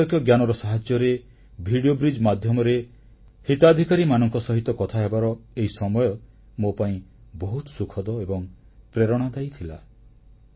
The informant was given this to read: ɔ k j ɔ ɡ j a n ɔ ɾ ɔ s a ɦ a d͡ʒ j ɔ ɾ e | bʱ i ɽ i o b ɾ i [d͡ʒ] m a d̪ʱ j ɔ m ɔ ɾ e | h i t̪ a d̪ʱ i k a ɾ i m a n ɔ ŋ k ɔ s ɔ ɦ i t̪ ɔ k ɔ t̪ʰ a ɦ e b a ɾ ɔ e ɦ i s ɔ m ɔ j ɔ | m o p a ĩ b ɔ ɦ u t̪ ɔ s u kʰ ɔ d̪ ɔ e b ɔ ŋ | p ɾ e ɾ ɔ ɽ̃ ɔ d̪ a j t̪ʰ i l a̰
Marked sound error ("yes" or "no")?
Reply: no